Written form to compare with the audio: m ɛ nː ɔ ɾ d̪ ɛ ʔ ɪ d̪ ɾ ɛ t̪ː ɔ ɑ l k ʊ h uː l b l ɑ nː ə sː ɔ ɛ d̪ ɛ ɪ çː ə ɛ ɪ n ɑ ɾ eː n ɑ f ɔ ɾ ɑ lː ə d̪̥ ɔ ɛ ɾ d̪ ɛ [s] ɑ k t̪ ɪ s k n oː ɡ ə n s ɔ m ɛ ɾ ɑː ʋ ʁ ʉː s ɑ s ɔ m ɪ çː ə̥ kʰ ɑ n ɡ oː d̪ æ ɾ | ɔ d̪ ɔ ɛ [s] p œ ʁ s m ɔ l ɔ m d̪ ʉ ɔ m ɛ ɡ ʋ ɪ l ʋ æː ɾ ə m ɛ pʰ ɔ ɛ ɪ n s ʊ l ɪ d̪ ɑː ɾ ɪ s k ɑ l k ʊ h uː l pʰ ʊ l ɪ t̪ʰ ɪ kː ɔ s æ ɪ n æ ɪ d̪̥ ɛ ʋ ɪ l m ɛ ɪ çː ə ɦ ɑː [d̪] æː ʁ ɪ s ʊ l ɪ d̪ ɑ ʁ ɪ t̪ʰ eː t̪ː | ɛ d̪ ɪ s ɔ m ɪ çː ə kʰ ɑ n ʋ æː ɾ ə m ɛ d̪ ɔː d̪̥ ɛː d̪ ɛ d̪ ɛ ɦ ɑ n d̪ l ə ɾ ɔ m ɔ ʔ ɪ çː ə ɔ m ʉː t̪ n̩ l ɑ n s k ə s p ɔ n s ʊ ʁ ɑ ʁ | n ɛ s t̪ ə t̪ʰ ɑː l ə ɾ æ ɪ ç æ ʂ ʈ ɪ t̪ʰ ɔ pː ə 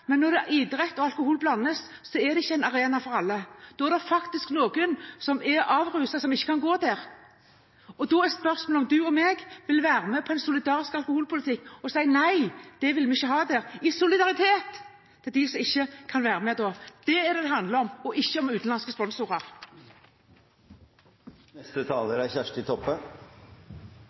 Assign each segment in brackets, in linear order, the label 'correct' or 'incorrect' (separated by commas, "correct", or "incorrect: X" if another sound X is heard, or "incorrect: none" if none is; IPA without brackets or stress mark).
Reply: incorrect: f, correct, correct